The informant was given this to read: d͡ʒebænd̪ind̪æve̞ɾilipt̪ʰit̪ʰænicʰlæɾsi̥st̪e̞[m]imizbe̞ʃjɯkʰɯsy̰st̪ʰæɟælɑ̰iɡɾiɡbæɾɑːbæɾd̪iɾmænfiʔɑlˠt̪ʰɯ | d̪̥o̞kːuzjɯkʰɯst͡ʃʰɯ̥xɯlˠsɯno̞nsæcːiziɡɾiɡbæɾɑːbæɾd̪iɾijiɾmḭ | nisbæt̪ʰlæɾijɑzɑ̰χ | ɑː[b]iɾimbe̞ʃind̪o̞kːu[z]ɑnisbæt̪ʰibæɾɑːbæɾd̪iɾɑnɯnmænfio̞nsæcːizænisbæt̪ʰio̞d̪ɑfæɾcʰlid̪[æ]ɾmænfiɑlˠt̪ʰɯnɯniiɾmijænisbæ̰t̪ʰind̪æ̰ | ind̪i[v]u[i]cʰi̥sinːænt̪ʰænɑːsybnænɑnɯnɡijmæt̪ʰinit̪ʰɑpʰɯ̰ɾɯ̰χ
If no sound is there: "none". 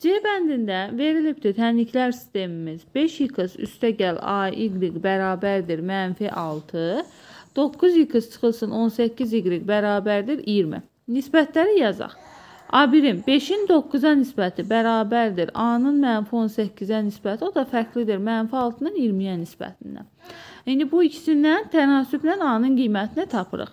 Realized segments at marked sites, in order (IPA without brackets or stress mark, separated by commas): m, b, z, i, b, i